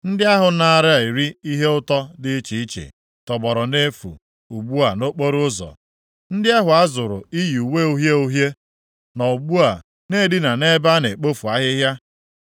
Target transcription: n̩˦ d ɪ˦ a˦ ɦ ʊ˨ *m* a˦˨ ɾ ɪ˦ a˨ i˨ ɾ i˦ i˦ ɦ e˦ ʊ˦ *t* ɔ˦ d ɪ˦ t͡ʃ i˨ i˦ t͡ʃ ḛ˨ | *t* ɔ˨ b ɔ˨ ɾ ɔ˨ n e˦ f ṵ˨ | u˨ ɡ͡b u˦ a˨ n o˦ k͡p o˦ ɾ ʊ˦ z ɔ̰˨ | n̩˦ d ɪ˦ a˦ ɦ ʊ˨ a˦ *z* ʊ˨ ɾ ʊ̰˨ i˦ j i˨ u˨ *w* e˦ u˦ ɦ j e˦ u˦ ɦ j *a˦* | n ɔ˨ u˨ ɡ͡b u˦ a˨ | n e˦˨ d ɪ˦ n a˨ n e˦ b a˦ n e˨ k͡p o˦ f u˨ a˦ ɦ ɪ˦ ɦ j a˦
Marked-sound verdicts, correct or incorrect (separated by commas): incorrect, correct, correct, correct, correct, incorrect